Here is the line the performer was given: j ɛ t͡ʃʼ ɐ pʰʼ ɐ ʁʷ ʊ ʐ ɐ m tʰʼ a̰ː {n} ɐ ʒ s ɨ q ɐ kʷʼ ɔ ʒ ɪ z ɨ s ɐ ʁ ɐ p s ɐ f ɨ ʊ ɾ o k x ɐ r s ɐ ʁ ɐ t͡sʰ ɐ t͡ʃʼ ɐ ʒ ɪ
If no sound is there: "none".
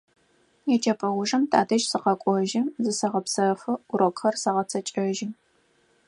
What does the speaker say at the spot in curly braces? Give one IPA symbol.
d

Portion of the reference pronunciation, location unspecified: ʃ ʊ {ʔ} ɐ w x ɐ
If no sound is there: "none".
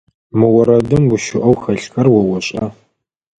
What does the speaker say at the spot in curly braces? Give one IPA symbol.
ʔ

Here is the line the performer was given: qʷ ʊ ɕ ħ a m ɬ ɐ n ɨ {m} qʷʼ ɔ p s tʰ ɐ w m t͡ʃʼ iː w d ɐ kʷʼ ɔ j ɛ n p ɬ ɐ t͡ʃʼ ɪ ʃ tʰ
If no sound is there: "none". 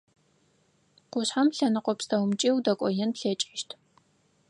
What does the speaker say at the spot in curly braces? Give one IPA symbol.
none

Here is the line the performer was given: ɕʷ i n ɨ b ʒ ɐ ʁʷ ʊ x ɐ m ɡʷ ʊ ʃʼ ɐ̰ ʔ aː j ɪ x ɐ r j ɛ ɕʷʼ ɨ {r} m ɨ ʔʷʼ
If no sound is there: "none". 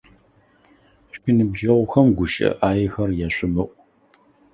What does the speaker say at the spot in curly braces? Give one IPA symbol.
none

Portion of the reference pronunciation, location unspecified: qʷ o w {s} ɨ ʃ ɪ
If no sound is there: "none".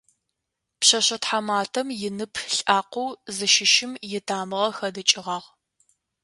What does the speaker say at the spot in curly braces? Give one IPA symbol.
z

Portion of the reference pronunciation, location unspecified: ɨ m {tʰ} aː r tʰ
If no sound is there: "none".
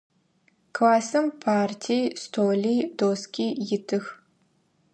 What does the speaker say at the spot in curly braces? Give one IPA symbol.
pʰ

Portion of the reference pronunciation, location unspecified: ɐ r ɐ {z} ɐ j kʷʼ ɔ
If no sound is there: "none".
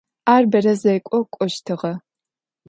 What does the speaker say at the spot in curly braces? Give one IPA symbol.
z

